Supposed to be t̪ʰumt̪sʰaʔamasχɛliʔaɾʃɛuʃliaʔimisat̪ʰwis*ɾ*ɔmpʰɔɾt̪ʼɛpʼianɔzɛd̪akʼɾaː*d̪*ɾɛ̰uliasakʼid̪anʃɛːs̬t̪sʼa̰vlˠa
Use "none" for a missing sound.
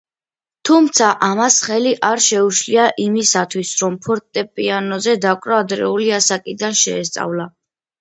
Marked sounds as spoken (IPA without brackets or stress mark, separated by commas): ɾ, d̪